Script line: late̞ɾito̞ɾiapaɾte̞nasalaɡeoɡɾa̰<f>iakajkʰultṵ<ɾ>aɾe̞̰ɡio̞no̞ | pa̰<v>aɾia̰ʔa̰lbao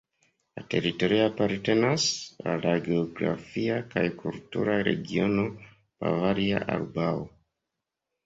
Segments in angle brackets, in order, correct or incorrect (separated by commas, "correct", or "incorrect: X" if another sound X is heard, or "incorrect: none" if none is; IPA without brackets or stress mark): correct, correct, correct